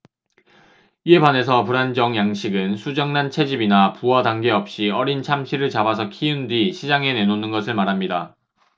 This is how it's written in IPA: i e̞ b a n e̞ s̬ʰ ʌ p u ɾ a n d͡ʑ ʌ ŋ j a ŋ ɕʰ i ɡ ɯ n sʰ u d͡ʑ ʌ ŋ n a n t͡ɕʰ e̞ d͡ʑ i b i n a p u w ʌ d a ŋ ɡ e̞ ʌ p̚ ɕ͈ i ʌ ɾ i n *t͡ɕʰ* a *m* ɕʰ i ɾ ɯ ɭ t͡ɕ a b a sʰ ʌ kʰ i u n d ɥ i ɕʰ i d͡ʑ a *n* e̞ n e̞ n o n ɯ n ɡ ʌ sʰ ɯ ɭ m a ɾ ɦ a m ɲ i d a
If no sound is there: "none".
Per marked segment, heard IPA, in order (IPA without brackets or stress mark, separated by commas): t͡ɕʰ, m, ŋ